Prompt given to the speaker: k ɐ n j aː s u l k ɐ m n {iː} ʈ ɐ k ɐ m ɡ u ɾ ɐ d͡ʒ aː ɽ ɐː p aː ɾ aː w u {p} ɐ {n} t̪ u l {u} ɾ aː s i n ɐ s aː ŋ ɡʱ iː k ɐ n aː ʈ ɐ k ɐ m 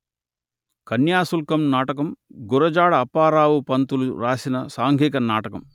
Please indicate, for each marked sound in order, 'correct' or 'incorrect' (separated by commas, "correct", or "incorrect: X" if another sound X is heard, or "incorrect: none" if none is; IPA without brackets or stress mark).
incorrect: aː, correct, correct, correct